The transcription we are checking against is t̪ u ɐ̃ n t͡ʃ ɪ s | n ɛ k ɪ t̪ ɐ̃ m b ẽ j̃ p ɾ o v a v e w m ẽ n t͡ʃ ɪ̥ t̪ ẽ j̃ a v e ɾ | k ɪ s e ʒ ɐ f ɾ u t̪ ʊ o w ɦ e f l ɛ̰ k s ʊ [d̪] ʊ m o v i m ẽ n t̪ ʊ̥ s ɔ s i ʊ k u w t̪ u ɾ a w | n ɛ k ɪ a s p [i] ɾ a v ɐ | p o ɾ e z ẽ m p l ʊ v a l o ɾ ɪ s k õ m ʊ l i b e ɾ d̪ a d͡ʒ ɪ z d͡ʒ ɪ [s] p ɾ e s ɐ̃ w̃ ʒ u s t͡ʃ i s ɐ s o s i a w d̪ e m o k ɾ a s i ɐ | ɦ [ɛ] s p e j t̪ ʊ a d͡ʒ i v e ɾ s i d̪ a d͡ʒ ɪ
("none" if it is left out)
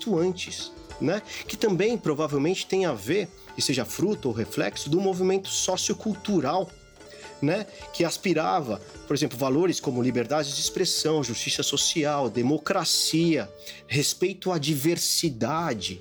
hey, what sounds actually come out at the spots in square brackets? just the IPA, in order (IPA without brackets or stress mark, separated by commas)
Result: d̪, i, s, e